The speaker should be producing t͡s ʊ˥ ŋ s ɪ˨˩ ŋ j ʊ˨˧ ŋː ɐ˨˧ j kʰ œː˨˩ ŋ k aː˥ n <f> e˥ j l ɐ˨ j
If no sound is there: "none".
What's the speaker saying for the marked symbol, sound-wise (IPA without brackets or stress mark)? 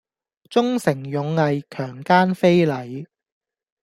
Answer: f